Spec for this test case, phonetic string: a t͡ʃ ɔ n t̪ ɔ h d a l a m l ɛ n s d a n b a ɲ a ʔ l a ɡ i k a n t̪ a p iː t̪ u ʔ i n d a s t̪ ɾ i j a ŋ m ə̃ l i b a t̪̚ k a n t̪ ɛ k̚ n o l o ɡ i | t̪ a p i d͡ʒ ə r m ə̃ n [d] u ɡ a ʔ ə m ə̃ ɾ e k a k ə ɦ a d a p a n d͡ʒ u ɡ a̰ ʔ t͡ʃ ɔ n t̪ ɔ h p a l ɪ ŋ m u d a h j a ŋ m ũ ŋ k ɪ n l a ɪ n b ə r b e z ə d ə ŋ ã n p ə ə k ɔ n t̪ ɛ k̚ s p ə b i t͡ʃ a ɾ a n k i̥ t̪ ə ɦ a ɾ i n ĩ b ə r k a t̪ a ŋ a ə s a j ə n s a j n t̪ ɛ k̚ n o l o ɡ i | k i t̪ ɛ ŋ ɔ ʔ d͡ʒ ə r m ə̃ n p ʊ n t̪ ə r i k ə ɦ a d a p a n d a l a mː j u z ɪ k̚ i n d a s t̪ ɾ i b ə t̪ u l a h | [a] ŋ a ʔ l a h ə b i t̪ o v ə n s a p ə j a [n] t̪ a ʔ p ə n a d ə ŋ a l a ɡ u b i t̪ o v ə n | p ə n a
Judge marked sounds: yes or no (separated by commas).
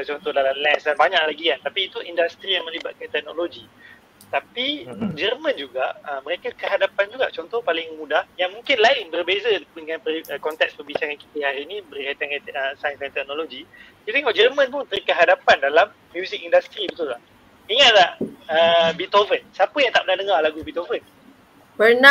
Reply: no, no, no